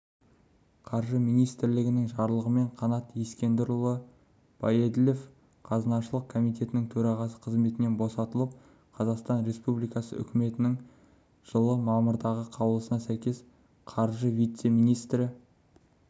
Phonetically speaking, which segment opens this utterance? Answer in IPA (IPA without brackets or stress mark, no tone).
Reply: qʰ